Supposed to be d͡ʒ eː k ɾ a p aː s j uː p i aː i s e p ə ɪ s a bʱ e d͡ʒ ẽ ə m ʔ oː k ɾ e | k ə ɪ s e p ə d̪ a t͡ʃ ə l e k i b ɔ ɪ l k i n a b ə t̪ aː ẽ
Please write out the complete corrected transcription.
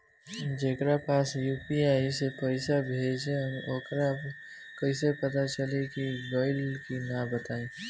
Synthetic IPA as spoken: d͡ʒ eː k ɾ a p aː s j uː p i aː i s e p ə ɪ s a bʱ e d͡ʒ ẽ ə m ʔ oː k ɾ a | k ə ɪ s e p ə t̪ a t͡ʃ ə l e k i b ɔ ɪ l k i n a b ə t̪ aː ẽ